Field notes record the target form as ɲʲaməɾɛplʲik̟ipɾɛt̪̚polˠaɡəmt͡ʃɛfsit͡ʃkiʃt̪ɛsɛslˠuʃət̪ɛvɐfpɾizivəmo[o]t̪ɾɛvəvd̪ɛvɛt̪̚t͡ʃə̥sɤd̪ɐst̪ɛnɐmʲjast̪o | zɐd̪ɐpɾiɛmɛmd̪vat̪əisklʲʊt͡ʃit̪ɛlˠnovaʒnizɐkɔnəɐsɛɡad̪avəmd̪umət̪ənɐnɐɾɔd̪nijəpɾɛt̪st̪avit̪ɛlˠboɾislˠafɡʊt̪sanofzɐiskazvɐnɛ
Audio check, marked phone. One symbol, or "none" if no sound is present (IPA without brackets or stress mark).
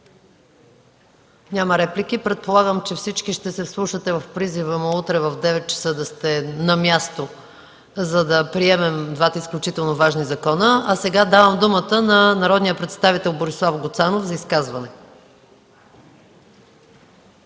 u